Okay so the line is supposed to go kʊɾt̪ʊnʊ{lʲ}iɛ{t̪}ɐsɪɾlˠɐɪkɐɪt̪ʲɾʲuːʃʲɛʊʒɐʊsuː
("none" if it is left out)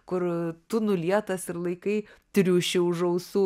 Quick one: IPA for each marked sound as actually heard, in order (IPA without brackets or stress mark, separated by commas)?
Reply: lʲ, t̪